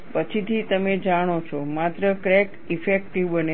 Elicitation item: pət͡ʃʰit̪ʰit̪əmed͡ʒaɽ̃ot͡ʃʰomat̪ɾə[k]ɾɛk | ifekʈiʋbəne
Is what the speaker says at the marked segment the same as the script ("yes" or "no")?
yes